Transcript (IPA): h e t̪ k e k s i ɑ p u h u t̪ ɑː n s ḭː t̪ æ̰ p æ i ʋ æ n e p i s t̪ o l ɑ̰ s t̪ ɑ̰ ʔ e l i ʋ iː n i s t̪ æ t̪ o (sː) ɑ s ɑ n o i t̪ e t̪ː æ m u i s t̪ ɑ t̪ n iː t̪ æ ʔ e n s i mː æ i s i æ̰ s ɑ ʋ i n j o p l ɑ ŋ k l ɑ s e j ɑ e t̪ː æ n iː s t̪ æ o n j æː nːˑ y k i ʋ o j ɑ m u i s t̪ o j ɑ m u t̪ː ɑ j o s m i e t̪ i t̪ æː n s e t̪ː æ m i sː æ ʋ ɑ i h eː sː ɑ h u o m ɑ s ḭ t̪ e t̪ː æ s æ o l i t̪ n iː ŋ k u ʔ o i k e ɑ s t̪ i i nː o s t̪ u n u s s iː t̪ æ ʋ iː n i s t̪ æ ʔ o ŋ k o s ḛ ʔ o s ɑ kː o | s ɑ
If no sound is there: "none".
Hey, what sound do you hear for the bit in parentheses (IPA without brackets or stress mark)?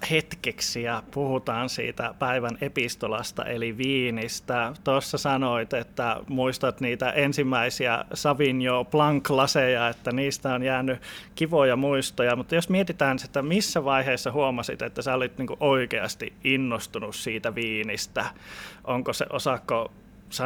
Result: sː